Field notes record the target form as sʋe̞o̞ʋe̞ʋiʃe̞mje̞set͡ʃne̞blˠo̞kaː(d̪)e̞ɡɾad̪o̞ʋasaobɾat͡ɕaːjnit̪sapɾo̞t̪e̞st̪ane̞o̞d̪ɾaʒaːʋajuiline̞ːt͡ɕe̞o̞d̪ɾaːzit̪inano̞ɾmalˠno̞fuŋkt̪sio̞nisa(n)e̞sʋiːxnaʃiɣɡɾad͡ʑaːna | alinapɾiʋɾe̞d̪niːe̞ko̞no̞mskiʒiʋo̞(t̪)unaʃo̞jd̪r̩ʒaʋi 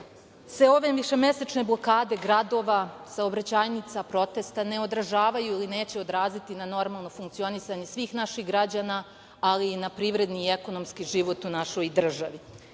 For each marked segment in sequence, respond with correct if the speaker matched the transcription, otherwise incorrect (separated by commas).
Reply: correct, incorrect, correct